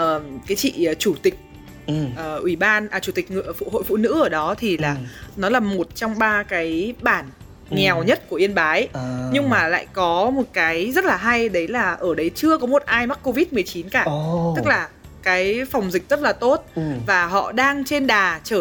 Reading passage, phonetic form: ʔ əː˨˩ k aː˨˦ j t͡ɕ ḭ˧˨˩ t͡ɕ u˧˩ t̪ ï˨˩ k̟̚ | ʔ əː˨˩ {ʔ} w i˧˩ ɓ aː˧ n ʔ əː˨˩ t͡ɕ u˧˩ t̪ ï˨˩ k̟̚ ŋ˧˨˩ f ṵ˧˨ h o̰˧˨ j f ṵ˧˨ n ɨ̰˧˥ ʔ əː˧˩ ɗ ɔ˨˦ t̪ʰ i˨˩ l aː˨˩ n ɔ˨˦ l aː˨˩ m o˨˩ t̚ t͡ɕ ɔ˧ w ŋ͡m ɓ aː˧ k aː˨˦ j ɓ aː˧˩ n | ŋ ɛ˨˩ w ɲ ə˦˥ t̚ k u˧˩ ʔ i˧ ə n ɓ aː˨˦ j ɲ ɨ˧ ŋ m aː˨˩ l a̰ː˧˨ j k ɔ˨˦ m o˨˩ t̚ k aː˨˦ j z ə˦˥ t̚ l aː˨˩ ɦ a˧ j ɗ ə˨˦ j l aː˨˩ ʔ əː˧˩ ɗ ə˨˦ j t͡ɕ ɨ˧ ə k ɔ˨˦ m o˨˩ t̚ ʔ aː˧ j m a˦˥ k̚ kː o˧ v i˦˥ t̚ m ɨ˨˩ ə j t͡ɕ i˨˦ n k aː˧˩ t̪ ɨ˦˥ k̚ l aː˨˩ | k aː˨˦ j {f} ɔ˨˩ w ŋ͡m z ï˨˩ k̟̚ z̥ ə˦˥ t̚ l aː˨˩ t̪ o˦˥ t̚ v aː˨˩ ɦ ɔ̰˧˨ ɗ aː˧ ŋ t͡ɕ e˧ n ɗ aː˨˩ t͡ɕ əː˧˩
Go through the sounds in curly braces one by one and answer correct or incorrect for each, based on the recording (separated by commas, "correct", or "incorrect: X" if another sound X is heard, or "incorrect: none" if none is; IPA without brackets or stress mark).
correct, correct